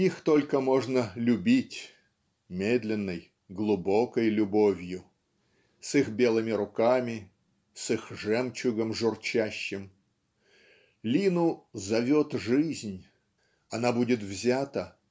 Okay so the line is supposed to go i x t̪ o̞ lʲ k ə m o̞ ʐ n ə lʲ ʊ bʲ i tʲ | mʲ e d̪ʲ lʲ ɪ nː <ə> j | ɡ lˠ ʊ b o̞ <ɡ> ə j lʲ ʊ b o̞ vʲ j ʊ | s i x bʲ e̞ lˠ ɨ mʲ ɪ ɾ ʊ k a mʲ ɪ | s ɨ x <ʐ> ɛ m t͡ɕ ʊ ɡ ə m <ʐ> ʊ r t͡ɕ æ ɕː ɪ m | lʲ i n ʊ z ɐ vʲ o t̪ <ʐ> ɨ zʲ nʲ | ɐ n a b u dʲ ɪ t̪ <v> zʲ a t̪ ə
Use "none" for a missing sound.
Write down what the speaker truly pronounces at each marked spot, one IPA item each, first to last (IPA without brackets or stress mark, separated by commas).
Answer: ə, k, ʐ, ʐ, ʐ, v